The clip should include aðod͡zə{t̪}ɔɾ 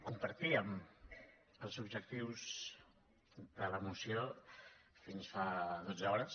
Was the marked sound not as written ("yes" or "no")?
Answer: yes